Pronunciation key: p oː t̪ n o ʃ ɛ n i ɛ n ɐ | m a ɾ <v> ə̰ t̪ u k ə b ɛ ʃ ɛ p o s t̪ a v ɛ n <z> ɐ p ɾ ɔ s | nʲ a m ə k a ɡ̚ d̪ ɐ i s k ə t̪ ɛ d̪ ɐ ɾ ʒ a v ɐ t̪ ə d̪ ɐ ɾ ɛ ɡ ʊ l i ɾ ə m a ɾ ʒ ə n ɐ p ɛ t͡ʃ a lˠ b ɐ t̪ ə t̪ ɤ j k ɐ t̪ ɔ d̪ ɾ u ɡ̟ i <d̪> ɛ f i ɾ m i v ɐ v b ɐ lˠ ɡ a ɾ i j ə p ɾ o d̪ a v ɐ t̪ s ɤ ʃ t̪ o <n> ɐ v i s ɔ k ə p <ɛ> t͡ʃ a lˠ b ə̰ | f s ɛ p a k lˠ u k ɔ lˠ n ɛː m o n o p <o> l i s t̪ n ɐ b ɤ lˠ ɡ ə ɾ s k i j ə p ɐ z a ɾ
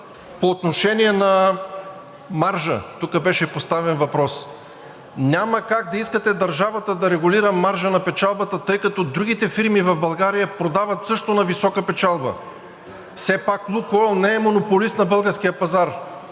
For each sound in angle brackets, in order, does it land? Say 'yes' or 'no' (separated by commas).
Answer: no, no, no, yes, yes, yes